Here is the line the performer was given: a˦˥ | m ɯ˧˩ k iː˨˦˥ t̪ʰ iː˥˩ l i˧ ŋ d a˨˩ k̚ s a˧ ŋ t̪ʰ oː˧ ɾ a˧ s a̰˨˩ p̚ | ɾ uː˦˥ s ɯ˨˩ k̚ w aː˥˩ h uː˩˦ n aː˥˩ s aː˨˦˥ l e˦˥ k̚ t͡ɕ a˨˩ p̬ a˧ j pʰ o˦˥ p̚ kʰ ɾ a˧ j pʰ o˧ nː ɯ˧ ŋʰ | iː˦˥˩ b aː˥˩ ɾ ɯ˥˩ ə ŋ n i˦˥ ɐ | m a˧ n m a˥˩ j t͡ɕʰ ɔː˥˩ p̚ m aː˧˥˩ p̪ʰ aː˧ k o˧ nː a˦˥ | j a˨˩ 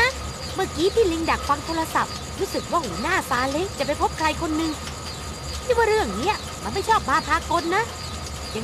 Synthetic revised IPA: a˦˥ | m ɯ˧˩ k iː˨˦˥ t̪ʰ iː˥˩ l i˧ ŋ d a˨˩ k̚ f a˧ ŋ t̪ʰ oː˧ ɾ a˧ s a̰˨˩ p̚ | ɾ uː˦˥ s ɯ˨˩ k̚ w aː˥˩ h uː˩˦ n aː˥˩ s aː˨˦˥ l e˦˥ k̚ t͡ɕ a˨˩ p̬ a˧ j pʰ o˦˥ p̚ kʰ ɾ a˧ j kʰ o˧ nː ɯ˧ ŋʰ | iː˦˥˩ w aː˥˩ ɾ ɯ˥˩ ə ŋ n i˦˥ ɐ | m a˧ n m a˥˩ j t͡ɕʰ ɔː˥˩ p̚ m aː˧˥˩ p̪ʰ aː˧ k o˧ nː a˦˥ | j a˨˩